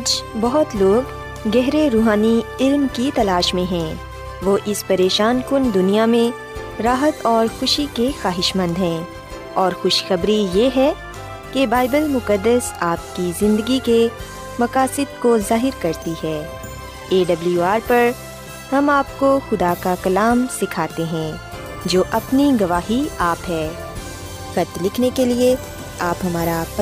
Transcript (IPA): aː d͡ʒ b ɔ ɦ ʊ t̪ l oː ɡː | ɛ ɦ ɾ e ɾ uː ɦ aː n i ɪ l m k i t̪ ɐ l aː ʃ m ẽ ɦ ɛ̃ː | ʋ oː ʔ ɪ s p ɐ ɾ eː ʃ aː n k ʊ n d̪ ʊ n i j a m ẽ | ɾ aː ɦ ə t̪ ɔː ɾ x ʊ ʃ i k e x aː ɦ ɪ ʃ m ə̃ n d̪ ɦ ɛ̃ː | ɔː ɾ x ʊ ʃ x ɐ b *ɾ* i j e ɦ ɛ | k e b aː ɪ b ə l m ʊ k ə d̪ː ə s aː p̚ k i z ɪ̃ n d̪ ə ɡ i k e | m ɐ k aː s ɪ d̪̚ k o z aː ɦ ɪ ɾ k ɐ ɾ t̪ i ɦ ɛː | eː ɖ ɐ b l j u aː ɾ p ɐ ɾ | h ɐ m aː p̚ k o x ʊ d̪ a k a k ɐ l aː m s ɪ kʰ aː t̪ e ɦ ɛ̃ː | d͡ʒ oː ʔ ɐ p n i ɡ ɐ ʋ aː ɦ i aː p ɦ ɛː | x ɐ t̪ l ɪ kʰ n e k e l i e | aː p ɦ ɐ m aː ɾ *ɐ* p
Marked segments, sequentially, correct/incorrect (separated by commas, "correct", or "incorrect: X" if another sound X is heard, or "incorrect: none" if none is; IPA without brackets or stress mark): correct, incorrect: a